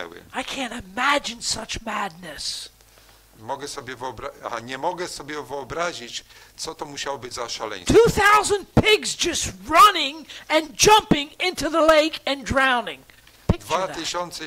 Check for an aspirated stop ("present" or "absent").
present